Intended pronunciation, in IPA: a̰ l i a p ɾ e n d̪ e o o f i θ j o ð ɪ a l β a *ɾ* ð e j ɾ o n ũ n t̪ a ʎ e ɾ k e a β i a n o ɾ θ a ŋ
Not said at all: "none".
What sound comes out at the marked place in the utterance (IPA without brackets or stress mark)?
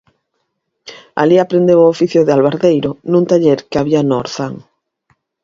ɾ